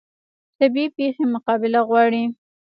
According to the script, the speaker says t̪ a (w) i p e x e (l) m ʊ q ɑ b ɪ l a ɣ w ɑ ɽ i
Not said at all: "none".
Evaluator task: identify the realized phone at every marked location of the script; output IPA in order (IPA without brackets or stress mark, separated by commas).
b, none